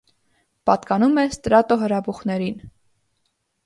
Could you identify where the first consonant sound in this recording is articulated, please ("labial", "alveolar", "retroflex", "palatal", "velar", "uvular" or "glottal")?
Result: labial